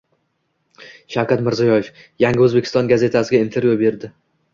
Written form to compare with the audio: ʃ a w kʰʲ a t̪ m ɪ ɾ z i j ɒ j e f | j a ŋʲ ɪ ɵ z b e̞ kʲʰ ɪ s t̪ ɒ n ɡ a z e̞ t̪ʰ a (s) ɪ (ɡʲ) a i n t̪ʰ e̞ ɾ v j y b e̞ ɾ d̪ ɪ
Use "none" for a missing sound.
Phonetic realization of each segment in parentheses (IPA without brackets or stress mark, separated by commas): s, ɡʲ